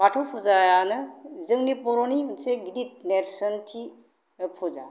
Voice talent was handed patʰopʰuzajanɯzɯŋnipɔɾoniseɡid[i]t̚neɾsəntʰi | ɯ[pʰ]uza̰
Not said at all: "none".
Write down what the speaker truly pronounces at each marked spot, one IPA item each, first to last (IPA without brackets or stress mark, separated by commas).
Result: i, pʰ